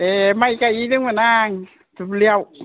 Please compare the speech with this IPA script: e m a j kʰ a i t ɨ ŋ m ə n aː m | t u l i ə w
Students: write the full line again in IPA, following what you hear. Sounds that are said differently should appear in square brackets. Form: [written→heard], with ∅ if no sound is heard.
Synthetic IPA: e m a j [kʰ→k] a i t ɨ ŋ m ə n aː [m→ŋ] | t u l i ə w